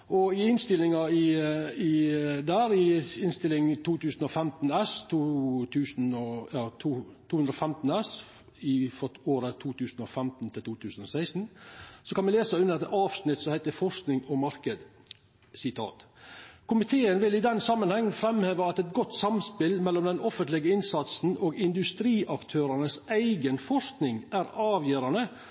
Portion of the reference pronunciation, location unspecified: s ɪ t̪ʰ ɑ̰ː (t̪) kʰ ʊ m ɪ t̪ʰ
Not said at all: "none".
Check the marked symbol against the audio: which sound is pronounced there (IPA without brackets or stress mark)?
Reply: t̪